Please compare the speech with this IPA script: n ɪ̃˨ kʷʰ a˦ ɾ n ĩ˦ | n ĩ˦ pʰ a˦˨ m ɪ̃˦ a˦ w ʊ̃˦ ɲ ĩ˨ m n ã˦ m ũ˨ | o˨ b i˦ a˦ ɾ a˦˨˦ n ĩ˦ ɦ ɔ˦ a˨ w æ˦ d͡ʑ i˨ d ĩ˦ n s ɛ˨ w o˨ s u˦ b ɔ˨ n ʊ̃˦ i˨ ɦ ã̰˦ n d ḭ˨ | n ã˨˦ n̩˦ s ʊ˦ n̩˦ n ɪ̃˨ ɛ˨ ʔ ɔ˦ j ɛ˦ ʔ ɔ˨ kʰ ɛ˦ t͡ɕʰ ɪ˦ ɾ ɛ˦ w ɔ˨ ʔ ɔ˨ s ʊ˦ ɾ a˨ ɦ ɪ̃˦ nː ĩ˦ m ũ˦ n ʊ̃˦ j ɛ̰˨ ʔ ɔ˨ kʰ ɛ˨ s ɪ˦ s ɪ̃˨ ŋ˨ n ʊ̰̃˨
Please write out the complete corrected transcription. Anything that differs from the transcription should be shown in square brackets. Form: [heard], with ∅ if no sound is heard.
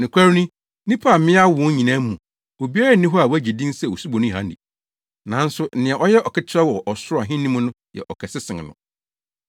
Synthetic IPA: n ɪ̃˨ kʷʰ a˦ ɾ n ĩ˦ | n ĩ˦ pʰ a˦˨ m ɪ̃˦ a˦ w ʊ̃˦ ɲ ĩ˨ [∅] n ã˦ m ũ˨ | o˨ b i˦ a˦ ɾ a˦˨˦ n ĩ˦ ɦ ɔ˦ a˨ w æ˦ d͡ʑ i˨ d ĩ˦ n s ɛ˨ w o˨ s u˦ b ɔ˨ n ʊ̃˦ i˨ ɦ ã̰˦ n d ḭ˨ | n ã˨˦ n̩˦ s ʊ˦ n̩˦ n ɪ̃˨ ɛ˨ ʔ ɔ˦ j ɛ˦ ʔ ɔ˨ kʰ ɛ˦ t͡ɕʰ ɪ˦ ɾ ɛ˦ w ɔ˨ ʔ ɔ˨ s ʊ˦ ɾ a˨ ɦ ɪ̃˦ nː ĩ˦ m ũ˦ n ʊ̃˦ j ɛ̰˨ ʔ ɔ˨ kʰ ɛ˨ s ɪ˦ s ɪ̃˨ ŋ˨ n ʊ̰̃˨